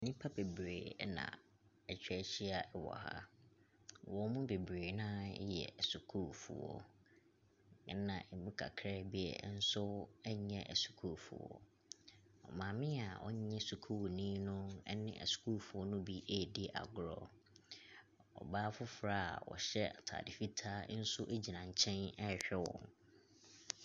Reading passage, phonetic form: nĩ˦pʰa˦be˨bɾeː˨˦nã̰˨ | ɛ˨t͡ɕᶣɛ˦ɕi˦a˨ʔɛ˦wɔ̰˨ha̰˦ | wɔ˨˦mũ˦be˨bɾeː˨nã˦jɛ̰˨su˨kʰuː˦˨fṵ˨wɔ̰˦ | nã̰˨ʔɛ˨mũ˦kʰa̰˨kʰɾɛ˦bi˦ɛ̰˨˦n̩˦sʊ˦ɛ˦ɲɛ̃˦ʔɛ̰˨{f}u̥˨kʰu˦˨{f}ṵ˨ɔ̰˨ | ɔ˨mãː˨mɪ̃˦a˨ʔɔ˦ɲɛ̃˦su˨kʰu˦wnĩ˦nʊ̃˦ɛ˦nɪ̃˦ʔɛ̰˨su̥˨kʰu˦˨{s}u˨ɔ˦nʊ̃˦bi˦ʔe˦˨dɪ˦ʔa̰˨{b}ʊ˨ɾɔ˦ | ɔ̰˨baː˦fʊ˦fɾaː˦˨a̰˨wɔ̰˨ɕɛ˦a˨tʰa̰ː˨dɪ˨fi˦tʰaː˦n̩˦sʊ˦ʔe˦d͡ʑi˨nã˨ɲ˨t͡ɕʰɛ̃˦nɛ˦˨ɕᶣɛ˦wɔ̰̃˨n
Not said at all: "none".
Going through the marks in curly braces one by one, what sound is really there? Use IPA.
s, f, f, ɡ

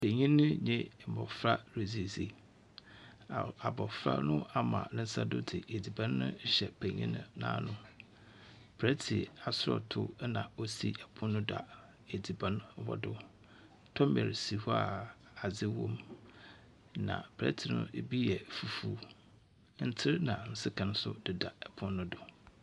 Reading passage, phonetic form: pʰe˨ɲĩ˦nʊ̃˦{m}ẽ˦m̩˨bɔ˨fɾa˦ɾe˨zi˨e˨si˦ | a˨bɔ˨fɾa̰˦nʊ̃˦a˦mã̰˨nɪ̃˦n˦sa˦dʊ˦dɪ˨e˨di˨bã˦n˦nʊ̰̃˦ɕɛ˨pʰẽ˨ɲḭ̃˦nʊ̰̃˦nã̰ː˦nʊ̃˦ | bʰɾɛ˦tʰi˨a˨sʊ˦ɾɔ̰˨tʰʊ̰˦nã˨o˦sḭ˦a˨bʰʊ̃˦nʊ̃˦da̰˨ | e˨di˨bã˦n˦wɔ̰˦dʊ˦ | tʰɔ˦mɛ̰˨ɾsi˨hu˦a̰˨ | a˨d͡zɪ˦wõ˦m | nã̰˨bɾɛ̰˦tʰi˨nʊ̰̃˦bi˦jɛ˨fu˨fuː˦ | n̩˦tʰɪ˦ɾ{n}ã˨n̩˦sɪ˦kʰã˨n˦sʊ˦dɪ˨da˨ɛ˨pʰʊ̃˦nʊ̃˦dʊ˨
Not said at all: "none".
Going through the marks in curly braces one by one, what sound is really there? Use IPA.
ɲ, n

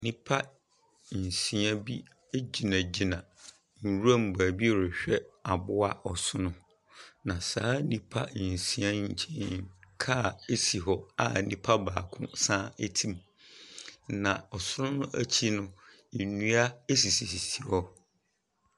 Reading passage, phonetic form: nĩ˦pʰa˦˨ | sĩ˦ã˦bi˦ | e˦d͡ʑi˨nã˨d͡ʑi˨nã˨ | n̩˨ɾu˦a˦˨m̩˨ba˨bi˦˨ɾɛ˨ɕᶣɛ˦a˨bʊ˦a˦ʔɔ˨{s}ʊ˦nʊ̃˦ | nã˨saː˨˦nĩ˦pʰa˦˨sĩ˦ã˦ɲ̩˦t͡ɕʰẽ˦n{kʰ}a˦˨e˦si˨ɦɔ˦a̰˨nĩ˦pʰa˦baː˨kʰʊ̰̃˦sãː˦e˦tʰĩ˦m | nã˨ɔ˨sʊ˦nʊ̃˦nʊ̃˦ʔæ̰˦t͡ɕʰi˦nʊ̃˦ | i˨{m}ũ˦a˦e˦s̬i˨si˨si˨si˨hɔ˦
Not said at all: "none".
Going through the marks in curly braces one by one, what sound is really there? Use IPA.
s, kʰ, n

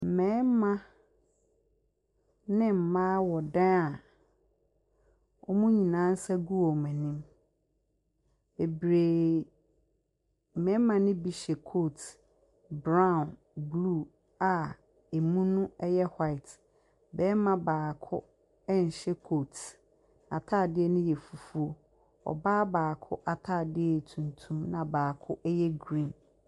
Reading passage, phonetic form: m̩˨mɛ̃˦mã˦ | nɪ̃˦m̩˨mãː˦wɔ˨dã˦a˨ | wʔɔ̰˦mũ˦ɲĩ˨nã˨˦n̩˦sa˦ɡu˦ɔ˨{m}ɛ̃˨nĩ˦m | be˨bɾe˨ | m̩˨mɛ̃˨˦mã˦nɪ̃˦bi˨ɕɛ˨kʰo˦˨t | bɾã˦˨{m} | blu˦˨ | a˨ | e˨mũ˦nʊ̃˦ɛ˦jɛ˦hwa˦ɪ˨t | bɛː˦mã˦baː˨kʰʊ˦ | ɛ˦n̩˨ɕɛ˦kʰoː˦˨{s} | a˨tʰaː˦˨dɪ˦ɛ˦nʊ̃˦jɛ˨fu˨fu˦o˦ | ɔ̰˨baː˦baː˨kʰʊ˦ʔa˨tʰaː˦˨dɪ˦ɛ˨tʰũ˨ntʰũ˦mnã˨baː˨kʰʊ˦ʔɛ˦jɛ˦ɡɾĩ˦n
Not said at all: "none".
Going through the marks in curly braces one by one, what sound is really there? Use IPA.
m, n, t

